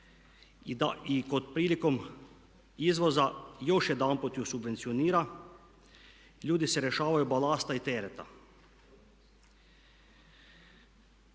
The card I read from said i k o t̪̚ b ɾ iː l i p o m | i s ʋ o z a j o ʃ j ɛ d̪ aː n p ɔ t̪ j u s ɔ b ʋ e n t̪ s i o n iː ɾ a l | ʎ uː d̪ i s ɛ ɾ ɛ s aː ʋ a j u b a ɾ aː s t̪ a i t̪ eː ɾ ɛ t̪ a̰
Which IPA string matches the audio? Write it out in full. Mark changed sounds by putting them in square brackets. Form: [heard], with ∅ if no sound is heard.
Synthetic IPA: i k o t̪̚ [p] ɾ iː l i [k] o m | i [z] ʋ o z a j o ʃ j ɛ d̪ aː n p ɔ t̪ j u s [u] b ʋ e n t̪ s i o n iː ɾ a [∅] | ʎ uː d̪ i s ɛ ɾ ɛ [ʃ] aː ʋ a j u b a [l] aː s t̪ a i t̪ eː ɾ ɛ t̪ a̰

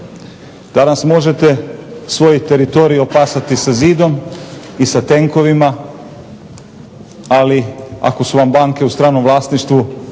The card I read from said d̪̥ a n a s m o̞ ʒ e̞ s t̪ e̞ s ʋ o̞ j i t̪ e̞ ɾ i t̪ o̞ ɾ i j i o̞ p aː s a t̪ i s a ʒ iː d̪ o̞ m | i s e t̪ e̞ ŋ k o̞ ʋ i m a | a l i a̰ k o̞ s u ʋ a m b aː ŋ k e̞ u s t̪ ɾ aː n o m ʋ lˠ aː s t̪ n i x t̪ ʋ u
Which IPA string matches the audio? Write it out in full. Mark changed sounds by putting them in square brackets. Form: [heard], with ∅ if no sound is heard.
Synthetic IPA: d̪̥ a n a s m o̞ ʒ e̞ [∅] t̪ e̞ s ʋ o̞ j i t̪ e̞ ɾ i t̪ o̞ ɾ i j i o̞ p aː s a t̪ i s a [z] iː d̪ o̞ m | i s [a] t̪ e̞ ŋ k o̞ ʋ i m a | a l i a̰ k o̞ s u ʋ a m b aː ŋ k e̞ u s t̪ ɾ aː n o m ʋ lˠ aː s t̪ n i [ʃ] t̪ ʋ u

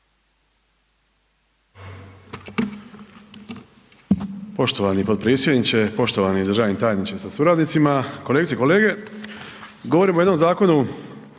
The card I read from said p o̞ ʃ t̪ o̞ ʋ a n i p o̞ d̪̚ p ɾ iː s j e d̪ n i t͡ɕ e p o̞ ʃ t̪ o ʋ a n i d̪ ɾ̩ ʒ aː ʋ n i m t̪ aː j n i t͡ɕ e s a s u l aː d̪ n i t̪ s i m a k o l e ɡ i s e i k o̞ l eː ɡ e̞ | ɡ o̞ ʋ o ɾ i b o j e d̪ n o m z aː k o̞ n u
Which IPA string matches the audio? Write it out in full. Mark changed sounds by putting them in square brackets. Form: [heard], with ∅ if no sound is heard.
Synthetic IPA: p o̞ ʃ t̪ o̞ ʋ a n i p o̞ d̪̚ p ɾ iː s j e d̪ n i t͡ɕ e p o̞ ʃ t̪ o ʋ a n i d̪ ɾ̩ ʒ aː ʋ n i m t̪ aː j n i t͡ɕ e s a s u [ɾ] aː d̪ n i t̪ s i m a k o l e ɡ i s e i k o̞ l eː ɡ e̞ | ɡ o̞ ʋ o ɾ i [m] o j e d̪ n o m z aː k o̞ n u

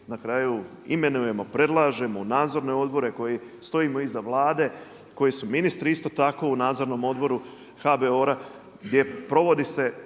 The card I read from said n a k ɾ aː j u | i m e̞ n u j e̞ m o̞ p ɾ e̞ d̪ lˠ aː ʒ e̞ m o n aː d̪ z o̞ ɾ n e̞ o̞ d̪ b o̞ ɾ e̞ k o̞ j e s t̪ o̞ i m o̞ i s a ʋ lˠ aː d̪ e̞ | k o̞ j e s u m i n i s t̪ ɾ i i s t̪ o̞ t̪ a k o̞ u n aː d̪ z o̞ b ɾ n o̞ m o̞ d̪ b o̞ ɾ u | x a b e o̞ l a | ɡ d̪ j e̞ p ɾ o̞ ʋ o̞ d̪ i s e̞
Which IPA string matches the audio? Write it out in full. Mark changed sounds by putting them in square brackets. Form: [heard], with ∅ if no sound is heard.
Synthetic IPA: n a k ɾ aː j u | i m e̞ n u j e̞ m o̞ p ɾ e̞ d̪ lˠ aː ʒ e̞ m o n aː d̪ z o̞ ɾ n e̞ o̞ d̪ b o̞ ɾ e̞ k o̞ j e s t̪ o̞ i m o̞ i [z] a ʋ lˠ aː d̪ e̞ | k o̞ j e s u m i n i s t̪ ɾ i i s t̪ o̞ t̪ a k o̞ u n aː d̪ z o̞ [∅] ɾ n o̞ m o̞ d̪ b o̞ ɾ u | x a b e o̞ [ɾ] a | ɡ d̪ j e̞ p ɾ o̞ ʋ o̞ d̪ i s e̞

